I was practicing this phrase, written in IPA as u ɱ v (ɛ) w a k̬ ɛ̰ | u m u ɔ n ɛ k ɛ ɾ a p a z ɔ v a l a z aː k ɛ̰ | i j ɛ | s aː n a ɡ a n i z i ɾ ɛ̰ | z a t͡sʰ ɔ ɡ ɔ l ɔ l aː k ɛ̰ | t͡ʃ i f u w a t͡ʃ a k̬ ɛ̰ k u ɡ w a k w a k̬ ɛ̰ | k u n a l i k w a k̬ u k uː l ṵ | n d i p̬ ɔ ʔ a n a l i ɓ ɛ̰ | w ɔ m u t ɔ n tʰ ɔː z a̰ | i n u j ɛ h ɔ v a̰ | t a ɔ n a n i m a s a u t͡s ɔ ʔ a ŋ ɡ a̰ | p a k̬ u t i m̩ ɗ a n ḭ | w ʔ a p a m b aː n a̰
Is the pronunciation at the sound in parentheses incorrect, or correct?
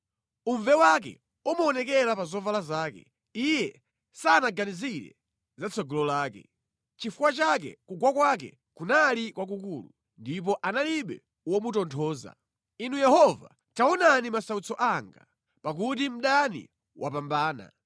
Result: correct